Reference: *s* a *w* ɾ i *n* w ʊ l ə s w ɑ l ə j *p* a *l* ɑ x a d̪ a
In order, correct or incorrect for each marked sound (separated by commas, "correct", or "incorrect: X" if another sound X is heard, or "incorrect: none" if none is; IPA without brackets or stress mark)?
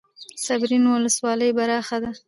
correct, incorrect: b, correct, incorrect: b, incorrect: ɾ